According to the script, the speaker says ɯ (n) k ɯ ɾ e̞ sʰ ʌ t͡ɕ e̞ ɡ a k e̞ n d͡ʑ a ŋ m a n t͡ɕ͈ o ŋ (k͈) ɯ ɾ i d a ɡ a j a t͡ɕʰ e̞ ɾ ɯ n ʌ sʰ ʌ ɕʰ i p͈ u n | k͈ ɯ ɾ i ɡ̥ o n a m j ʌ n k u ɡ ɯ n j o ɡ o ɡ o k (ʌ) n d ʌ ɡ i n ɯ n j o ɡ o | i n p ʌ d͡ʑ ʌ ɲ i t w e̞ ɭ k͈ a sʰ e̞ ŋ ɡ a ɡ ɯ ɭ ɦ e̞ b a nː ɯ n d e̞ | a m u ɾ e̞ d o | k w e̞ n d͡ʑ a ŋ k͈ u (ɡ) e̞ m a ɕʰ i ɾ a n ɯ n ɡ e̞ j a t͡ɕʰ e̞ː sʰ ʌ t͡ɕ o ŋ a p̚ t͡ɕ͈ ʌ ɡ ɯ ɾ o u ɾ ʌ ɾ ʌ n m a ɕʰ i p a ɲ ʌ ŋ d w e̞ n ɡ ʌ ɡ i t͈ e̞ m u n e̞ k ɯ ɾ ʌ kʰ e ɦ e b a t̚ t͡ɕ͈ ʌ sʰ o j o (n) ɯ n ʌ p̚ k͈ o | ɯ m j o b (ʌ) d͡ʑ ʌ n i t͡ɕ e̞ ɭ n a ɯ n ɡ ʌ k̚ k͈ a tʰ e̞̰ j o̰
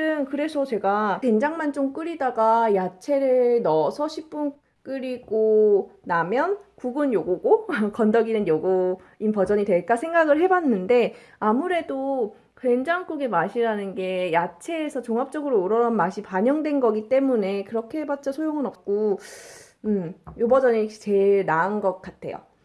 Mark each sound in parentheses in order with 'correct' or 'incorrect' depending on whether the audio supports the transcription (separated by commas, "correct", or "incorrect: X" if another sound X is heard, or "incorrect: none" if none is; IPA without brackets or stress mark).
correct, correct, correct, correct, incorrect: ŋ, correct